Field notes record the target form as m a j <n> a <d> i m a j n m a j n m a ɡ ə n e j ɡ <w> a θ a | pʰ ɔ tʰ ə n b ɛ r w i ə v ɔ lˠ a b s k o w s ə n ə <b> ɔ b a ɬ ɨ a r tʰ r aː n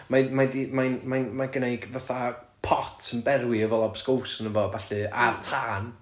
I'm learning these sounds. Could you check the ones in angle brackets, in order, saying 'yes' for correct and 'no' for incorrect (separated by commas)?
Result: no, yes, no, no